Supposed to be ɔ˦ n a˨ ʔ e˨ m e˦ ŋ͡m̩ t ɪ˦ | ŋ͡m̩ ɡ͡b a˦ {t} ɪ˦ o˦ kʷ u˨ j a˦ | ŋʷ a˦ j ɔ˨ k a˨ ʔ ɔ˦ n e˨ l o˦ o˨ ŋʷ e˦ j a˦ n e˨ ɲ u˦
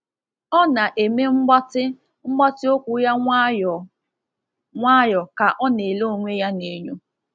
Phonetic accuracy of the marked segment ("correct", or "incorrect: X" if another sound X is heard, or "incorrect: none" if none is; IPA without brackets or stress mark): correct